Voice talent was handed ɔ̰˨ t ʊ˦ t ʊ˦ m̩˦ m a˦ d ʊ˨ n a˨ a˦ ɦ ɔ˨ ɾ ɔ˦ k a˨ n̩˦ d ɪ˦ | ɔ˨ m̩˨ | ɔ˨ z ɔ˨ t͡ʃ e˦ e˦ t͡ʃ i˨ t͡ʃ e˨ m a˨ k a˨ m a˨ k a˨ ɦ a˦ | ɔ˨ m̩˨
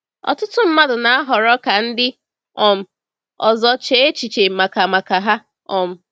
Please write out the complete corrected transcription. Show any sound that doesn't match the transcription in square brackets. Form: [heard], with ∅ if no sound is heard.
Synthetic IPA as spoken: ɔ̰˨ t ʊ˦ t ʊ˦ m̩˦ m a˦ d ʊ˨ n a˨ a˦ ɦ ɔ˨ ɾ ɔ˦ k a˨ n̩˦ d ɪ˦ | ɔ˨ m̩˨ | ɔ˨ z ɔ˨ t͡ʃ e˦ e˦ t͡ʃ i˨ t͡ʃ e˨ m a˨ k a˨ m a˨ k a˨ ɦ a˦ | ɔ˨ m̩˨